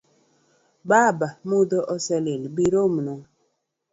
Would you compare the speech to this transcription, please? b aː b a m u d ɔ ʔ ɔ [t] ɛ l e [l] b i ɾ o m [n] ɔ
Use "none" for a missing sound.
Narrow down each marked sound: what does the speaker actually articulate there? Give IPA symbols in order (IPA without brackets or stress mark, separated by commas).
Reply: s, l, n